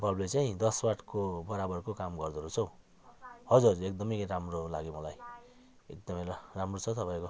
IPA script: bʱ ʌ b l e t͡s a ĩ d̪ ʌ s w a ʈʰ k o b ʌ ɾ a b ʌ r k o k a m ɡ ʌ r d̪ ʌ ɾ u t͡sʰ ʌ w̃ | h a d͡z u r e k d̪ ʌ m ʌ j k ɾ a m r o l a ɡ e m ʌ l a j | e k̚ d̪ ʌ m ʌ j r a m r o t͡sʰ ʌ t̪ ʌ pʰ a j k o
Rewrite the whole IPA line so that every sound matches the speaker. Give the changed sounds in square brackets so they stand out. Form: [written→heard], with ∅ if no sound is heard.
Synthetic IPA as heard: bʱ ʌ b l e t͡s a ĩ d̪ ʌ s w a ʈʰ k o b ʌ ɾ a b ʌ r k o k a m ɡ ʌ r d̪ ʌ ɾ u t͡sʰ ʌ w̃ | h [a→ʌ] d͡z u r e k d̪ ʌ m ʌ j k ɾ a m r o l a ɡ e m ʌ l a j | e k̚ d̪ ʌ m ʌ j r a m r o t͡sʰ ʌ t̪ ʌ [pʰ→p] a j k o